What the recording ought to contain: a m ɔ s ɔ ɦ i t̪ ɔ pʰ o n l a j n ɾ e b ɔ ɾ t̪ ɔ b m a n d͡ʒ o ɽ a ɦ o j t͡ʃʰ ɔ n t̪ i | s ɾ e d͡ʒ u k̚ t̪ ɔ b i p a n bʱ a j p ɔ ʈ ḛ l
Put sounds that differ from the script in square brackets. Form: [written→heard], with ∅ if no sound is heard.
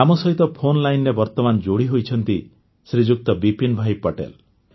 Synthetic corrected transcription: a m ɔ s ɔ ɦ i t̪ ɔ pʰ o n l a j n ɾ e b ɔ ɾ t̪ ɔ [b→∅] m a n d͡ʒ o ɽ [a→i] ɦ o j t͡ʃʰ ɔ n t̪ i | s ɾ [e→i] d͡ʒ u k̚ t̪ ɔ b i p [a→i] n bʱ a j p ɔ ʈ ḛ l